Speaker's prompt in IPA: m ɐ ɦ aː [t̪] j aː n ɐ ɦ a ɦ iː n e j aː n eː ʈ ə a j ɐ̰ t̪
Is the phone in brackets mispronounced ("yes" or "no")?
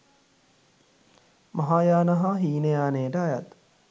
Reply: yes